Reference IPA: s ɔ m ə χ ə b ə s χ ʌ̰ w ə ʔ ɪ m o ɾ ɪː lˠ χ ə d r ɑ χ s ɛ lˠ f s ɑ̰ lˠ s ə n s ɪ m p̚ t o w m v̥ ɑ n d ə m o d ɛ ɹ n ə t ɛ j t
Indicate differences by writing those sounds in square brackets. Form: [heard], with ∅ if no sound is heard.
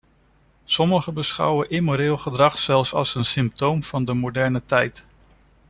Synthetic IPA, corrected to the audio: s ɔ m ə χ ə b ə s χ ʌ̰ w ə ʔ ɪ m o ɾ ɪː lˠ χ ə d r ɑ χ s ɛ lˠ f s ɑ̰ lˠ s ə n s ɪ m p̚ t o w m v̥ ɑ n d ə m o d ɛ ɹ n ə t ɛ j t